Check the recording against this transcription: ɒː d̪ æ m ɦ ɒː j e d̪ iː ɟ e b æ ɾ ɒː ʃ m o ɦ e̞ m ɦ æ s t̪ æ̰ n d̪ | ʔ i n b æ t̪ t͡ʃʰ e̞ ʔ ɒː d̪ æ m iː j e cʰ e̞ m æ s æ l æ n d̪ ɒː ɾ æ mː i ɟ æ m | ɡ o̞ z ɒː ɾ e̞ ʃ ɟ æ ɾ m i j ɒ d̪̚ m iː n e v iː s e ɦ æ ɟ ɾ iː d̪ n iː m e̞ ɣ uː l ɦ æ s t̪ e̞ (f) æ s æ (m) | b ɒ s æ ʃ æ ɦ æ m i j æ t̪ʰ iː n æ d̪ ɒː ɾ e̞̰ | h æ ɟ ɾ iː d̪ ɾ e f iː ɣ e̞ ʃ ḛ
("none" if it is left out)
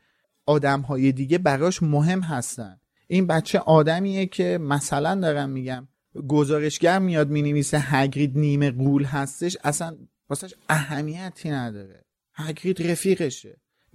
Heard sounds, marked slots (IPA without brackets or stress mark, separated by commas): ʃ, n